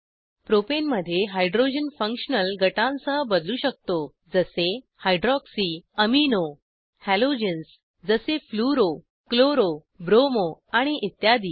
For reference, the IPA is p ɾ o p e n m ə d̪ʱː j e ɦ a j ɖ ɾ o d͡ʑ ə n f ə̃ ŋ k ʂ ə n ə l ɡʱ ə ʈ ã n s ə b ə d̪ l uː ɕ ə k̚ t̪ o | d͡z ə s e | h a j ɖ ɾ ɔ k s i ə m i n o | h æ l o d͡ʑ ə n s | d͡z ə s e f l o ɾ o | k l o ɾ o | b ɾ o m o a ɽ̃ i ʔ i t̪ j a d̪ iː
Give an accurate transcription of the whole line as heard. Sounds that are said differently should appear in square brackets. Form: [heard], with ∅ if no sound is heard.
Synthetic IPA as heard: p ɾ o p e n m ə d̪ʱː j e ɦ a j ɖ ɾ o d͡ʑ ə n f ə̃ ŋ k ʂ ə n ə l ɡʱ ə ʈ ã n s ə b ə d̪ l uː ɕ ə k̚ t̪ o | d͡z ə s e | h a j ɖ ɾ ɔ k s i ə m i n o | h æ l o d͡ʑ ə n s | d͡z ə s e f l [u] ɾ o | k l o ɾ o | b ɾ o m o a ɽ̃ i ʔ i t̪ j a d̪ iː